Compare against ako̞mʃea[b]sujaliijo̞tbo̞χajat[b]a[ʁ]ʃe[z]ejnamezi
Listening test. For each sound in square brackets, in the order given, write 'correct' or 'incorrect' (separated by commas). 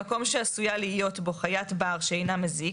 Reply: incorrect, correct, correct, incorrect